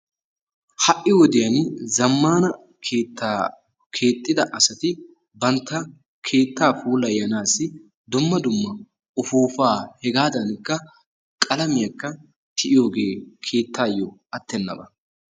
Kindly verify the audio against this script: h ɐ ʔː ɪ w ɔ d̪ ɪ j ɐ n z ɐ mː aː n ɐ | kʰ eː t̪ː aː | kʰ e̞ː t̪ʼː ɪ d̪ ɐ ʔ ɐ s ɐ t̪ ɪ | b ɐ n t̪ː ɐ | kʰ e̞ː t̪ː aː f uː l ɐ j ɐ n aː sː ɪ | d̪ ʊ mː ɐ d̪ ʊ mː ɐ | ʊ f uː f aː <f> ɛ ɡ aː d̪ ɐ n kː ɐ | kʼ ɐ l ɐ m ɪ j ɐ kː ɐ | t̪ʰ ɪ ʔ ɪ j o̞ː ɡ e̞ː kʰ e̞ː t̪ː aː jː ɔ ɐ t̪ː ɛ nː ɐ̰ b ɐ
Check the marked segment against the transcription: incorrect: h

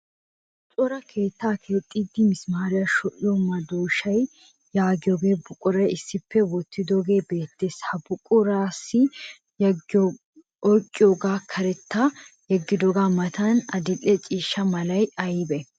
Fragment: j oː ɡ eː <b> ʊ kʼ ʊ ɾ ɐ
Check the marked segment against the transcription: correct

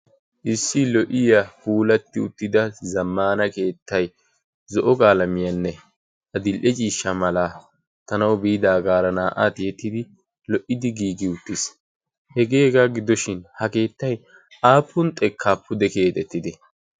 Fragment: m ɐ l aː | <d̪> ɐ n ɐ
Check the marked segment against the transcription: incorrect: t̪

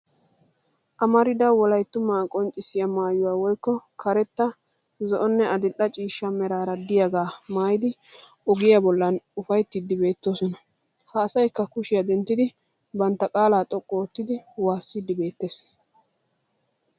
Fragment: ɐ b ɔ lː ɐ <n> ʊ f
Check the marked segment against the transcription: correct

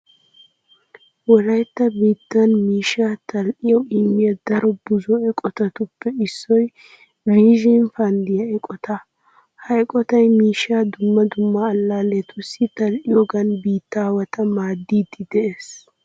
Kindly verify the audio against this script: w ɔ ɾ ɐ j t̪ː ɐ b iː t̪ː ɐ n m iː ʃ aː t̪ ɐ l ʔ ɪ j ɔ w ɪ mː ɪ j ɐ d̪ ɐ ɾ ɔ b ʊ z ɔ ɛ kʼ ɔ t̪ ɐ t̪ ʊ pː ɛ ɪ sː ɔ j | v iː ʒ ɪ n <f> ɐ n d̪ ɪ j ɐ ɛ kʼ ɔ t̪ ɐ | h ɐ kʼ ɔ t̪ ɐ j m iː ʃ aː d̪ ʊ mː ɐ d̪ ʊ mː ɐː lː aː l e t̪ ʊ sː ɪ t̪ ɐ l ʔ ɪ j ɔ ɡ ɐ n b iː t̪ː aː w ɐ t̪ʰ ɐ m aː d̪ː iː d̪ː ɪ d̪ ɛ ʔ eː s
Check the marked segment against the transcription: correct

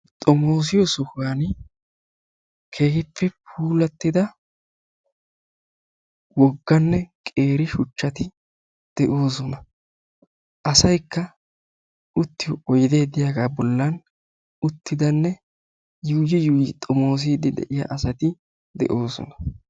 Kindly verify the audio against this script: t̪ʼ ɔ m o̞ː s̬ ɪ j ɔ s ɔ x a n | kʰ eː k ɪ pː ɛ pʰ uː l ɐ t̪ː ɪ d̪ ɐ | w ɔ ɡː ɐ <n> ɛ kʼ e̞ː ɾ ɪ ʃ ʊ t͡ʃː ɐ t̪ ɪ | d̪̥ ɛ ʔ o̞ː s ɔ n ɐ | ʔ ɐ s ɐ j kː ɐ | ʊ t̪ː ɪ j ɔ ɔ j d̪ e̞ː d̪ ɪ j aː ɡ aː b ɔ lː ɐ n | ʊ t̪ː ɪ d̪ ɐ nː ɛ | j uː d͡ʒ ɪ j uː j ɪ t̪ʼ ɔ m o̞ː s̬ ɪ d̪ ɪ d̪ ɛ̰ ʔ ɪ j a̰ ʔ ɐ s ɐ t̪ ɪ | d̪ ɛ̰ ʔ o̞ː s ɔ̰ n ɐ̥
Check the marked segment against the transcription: incorrect: nː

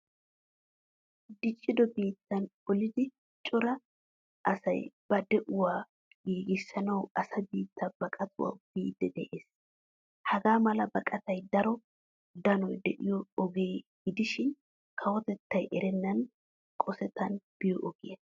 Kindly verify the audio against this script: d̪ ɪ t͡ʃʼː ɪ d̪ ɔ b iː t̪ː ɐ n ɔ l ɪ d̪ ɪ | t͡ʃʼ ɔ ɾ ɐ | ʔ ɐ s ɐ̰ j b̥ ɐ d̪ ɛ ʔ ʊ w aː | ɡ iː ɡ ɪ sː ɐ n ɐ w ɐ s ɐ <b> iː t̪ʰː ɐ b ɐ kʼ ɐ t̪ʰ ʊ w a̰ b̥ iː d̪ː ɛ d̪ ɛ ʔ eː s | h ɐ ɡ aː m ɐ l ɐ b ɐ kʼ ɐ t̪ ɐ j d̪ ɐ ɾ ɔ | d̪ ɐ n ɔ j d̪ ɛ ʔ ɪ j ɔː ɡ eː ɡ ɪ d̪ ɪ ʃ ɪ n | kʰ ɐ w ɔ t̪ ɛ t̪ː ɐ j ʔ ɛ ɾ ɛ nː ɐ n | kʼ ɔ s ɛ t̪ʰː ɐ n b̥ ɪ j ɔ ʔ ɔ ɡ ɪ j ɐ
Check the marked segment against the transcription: correct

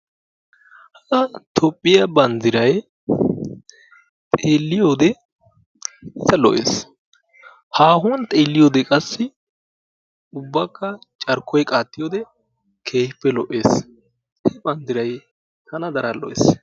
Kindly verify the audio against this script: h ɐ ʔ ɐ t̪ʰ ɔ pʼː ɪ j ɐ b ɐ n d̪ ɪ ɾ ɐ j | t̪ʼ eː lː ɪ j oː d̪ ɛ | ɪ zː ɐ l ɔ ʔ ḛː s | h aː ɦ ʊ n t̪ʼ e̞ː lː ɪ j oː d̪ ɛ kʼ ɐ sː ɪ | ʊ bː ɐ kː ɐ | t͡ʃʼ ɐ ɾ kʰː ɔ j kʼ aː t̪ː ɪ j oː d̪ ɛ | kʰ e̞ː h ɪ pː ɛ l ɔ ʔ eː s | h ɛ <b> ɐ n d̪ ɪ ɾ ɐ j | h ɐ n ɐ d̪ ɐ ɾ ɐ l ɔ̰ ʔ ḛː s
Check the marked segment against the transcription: correct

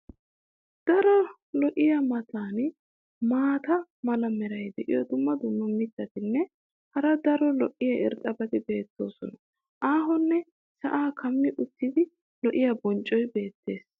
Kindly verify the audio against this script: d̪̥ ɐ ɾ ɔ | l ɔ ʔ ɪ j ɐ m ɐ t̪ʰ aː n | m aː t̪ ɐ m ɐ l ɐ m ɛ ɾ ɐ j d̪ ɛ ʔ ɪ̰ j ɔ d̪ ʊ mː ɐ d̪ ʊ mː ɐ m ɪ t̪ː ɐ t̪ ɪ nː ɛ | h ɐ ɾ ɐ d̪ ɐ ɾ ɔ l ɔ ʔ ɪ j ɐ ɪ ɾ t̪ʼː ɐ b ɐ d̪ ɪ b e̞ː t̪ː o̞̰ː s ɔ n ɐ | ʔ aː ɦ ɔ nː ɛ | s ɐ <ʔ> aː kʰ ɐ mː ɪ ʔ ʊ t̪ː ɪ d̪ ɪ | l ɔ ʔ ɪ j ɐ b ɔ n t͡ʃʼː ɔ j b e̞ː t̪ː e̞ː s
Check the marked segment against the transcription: correct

